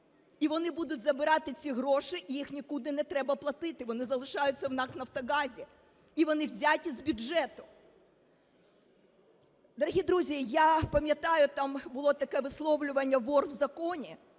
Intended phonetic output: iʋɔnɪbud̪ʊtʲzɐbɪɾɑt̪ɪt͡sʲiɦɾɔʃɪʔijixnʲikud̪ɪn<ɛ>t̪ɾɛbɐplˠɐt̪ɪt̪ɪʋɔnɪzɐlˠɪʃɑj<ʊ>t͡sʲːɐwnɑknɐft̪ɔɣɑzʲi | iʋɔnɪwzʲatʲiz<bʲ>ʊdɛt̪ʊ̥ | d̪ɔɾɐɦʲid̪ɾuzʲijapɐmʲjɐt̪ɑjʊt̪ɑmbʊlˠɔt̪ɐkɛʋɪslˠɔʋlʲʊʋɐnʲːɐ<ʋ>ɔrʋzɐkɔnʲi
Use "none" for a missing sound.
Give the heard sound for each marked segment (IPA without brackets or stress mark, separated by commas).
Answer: ɛ, ʊ, bʲ, ʋ